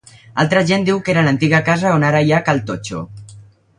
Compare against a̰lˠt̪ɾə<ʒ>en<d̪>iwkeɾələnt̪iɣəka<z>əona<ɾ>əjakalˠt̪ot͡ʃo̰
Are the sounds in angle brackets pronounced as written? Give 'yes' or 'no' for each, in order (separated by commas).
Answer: yes, yes, yes, yes